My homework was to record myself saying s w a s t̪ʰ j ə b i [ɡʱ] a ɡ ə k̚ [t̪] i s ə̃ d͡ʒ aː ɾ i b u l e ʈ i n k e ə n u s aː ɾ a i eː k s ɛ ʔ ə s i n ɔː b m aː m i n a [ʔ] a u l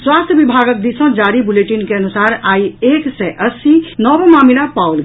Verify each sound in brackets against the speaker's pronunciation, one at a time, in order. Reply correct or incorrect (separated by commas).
incorrect, incorrect, incorrect